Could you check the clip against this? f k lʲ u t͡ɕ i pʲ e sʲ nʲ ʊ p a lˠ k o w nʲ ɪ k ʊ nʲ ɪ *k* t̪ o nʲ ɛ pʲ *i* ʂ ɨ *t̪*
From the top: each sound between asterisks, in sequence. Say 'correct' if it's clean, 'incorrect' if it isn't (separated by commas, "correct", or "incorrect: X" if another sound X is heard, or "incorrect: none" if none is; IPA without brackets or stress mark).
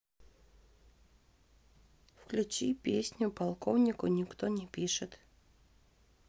correct, correct, correct